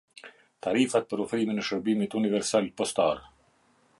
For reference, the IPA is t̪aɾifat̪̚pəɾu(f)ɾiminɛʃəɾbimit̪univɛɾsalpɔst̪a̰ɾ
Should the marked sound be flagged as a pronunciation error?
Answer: no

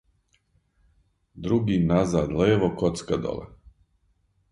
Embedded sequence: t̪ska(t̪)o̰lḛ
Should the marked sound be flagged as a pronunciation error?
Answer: yes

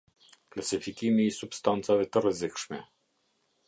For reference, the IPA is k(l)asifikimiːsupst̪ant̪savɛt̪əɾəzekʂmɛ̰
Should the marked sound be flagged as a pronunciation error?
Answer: no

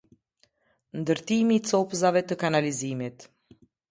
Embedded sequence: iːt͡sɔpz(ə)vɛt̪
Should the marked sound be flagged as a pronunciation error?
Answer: yes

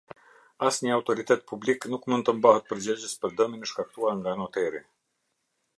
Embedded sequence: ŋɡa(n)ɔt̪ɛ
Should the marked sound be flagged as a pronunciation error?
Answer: no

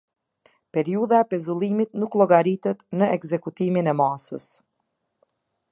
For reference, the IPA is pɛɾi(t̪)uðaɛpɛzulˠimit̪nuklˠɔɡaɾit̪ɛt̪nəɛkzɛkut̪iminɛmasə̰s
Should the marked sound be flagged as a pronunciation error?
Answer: yes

